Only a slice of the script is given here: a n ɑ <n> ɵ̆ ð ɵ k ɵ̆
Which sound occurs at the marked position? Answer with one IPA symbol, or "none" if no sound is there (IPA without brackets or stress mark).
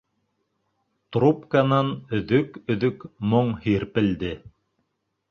n